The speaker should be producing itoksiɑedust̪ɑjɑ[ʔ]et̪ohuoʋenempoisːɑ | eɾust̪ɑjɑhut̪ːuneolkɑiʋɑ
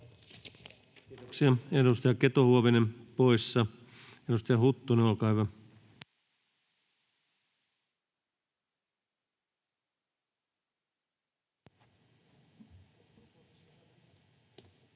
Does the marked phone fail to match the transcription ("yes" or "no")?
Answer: yes